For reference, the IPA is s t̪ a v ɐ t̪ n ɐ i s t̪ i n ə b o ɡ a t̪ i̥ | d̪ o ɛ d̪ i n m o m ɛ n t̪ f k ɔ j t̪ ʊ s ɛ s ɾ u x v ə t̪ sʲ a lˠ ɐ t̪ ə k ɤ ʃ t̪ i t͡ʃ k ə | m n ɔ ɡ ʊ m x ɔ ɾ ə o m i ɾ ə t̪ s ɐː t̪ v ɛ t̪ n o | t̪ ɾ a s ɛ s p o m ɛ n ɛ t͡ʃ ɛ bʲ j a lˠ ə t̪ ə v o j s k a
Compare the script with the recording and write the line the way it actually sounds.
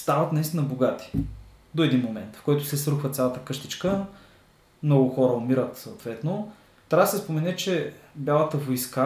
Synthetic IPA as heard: s t̪ a v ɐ t̪ n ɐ i s t̪ i n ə b o ɡ a t̪ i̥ | d̪ o ɛ d̪ i n m o m ɛ n t̪ f k ɔ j t̪ ʊ s ɛ s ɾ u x v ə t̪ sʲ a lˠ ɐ t̪ ə k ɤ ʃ t̪ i t͡ʃ k ə | m n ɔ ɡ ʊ x ɔ ɾ ə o m i ɾ ə t̪ s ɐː t̪ v ɛ t̪ n o | t̪ ɾ a s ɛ s p o m ɛ n ɛ t͡ʃ ɛ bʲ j a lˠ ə t̪ ə v o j s k a